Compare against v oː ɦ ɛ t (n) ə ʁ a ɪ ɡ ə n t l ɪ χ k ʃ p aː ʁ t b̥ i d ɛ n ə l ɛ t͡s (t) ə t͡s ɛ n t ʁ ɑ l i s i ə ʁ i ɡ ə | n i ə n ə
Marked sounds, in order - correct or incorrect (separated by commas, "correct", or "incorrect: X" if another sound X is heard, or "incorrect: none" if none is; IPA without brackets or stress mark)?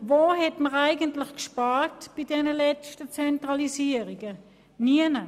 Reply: incorrect: m, correct